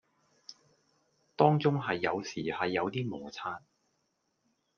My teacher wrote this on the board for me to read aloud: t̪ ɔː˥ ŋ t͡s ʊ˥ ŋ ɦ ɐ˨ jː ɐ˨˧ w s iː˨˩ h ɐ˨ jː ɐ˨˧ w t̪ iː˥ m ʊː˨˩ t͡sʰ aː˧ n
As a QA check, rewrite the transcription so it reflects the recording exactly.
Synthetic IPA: t̪ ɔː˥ ŋ t͡s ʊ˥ ŋ ɦ ɐ˨ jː ɐ˨˧ w s iː˨˩ h ɐ˨ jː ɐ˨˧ w t̪ iː˥ m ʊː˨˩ t͡sʰ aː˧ n